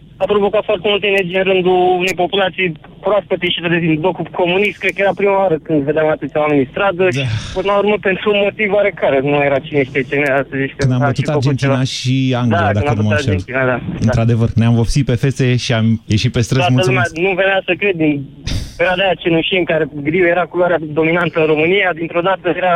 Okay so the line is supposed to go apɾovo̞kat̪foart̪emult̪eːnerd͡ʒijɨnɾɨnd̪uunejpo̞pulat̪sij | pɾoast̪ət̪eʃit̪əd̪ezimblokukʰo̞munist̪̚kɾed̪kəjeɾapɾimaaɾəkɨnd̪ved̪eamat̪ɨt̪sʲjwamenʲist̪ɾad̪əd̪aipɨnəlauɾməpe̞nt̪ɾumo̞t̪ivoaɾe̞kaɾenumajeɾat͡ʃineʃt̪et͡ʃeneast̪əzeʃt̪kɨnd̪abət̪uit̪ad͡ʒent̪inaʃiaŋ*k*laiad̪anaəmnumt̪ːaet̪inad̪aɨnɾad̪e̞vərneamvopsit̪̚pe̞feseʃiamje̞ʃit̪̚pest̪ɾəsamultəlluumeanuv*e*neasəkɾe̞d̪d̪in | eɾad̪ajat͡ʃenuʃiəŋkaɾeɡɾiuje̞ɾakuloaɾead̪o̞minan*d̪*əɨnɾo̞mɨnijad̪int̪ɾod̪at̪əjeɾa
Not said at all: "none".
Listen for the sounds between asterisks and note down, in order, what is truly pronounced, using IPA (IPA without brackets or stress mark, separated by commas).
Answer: ɡ, e, t̪